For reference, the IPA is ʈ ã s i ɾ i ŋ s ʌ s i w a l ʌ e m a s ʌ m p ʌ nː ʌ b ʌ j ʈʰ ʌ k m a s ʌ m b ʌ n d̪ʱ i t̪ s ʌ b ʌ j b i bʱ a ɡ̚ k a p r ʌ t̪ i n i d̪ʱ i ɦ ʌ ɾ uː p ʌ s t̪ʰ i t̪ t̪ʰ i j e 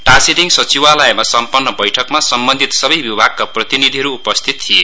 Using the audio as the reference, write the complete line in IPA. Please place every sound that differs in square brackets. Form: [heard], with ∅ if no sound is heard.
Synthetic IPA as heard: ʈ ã s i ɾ i ŋ s ʌ [t͡s] i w a l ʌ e m a s ʌ m p ʌ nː ʌ b ʌ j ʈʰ ʌ k m a s ʌ m b ʌ n d̪ʱ i t̪ s ʌ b ʌ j b i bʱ a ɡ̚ k a p r ʌ t̪ i n i d̪ʱ i ɦ ʌ ɾ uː p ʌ s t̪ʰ i t̪ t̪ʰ i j e